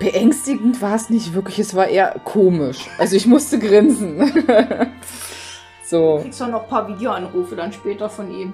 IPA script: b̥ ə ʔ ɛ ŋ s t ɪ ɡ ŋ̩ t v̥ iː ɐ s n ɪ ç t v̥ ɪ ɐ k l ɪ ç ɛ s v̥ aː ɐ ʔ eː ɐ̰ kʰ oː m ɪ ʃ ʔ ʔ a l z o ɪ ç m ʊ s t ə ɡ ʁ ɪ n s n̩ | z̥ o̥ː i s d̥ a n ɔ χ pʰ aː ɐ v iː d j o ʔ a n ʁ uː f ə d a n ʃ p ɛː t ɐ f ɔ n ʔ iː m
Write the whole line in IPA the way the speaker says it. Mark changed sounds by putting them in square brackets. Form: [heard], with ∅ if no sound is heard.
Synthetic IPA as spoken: b̥ ə ʔ ɛ ŋ s t ɪ ɡ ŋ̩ t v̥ [aː] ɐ s n ɪ ç t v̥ ɪ ɐ k l ɪ ç ɛ s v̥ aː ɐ ʔ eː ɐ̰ kʰ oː m ɪ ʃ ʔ ʔ a l z o ɪ ç m ʊ s t ə ɡ ʁ ɪ n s n̩ | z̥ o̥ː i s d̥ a n ɔ χ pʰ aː ɐ v iː d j o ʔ a n ʁ uː f ə d a n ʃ p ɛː t ɐ f ɔ n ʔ iː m